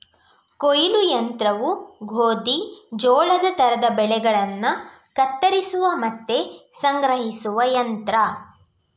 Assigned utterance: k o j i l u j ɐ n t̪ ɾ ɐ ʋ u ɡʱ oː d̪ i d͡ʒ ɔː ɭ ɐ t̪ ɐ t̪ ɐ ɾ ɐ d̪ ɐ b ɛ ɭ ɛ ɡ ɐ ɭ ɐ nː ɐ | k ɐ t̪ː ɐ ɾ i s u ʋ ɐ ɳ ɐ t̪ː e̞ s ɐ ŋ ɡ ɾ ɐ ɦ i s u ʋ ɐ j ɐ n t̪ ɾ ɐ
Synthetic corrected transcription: k o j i l u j ɐ n t̪ ɾ ɐ ʋ u ɡʱ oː d̪ i d͡ʒ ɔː ɭ ɐ d̪ ɐ t̪ ɐ ɾ ɐ d̪ ɐ b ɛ ɭ ɛ ɡ ɐ ɭ ɐ nː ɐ | k ɐ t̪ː ɐ ɾ i s u ʋ ɐ m ɐ t̪ː e̞ s ɐ ŋ ɡ ɾ ɐ ɦ i s u ʋ ɐ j ɐ n t̪ ɾ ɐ